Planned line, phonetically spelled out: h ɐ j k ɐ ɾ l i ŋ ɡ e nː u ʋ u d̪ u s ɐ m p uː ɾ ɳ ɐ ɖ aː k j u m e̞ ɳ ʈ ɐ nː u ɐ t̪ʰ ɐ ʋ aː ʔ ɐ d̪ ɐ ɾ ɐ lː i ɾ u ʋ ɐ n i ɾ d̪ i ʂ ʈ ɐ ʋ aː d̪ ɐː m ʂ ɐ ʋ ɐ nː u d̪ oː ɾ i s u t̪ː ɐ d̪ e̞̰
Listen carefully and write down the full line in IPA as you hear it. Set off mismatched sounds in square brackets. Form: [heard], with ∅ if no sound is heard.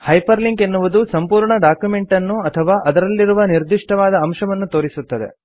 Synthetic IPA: h ɐ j [p] ɐ ɾ l i ŋ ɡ e nː u ʋ u d̪ u s ɐ m p uː ɾ ɳ ɐ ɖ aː k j u m e̞ ɳ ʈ ɐ nː u ɐ t̪ʰ ɐ ʋ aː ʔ ɐ d̪ ɐ ɾ ɐ lː i ɾ u ʋ ɐ n i ɾ d̪ i ʂ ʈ ɐ ʋ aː d̪ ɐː m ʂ ɐ ʋ ɐ nː u [t̪] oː ɾ i s u t̪ː ɐ d̪ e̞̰